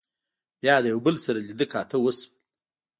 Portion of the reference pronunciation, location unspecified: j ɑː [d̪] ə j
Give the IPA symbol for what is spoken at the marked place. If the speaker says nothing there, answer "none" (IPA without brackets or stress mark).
d̪